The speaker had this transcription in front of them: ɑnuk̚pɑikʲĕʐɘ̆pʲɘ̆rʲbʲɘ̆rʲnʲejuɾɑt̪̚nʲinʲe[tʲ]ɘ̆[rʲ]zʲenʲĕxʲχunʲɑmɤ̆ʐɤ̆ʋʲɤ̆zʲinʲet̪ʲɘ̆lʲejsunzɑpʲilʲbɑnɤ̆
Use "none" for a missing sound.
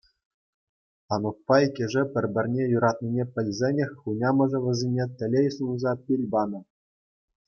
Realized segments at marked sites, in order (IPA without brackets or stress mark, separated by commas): pʲ, lʲ